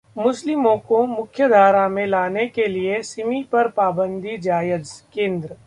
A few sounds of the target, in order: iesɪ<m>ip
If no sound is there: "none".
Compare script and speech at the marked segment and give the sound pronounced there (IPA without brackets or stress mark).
m